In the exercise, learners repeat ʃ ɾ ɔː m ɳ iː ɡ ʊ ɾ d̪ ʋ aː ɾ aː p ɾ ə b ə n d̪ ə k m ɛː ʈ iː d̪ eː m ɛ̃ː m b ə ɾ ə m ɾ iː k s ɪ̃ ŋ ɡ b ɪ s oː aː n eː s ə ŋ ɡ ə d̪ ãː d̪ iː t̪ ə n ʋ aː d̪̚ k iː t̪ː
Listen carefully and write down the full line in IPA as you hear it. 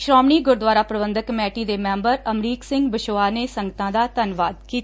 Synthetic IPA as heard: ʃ ɾ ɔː m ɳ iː ɡ ʊ ɾ d̪ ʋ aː ɾ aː p ɾ ə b ə n d̪ ə k m ɛː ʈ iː d̪ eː m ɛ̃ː m b ə ɾ ə m ɾ iː k s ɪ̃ ŋ ɡ b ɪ ʃ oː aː n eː s ə ŋ ɡ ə t̪ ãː d̪ aː t̪ ə n ʋ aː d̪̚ k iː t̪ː